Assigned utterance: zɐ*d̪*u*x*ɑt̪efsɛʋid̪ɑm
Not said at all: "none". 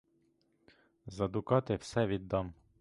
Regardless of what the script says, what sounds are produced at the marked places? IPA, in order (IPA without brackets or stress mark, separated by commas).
d̪, k